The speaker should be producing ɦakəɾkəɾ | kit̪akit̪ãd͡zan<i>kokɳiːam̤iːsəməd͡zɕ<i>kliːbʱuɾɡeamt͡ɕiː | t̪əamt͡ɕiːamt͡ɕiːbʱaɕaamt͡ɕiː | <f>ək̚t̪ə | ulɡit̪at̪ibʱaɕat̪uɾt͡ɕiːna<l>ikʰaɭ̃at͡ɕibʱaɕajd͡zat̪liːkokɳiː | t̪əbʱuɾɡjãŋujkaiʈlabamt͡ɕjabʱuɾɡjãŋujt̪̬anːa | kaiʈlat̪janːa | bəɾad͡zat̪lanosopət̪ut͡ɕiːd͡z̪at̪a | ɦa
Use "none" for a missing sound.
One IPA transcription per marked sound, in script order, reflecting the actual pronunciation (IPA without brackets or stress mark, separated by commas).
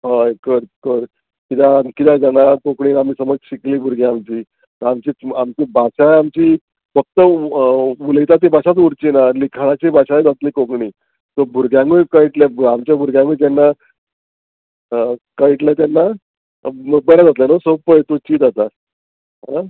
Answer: a, i, f, l